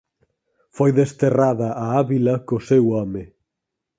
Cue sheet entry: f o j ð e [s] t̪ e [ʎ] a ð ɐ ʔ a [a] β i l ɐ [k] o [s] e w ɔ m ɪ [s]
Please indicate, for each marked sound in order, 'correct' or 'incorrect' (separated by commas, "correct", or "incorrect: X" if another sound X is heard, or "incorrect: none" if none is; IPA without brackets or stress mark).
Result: correct, incorrect: r, correct, correct, correct, incorrect: none